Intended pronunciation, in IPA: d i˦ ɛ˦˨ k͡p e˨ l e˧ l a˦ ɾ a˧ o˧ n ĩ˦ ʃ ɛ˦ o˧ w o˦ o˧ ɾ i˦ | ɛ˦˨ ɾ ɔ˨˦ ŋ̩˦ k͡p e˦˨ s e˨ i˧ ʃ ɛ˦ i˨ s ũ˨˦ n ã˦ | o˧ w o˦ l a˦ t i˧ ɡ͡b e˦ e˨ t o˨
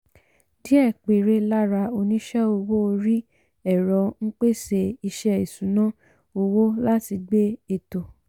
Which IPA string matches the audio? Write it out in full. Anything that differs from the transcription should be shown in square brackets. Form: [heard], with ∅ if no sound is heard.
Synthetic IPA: d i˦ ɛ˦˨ k͡p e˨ [ɾ] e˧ l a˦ ɾ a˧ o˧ n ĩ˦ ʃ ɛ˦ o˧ w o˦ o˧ ɾ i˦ | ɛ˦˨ ɾ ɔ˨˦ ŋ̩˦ k͡p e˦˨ s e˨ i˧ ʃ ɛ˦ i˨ s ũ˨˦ n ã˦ | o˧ w o˦ l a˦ t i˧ ɡ͡b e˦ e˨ t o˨